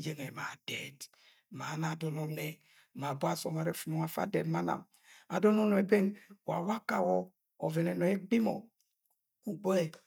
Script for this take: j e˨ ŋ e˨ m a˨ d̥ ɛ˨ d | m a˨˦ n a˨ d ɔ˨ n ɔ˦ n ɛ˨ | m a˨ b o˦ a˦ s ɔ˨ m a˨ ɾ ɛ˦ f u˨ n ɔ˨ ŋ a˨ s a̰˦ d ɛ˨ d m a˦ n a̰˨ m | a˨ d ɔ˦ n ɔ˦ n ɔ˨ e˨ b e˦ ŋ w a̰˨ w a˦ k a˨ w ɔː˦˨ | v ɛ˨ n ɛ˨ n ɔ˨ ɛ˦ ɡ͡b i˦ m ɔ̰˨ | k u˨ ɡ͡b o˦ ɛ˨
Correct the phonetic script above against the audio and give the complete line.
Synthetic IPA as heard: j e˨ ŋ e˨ m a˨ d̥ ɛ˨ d | m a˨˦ n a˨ d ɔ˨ n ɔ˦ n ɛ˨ | m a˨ b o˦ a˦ s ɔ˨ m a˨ ɾ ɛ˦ f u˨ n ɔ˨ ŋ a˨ f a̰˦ d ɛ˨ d m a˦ n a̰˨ m | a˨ d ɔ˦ n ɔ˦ n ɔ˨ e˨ b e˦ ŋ w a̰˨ w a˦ k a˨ w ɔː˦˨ | v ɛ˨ n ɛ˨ n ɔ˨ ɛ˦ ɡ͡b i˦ m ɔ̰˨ | k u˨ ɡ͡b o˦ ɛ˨